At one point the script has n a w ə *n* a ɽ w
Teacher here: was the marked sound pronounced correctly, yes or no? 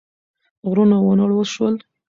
yes